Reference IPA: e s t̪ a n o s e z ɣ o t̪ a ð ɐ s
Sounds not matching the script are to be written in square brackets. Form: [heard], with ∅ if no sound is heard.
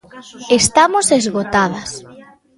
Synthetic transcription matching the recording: e s t̪ a [m] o s e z ɣ o t̪ a ð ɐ s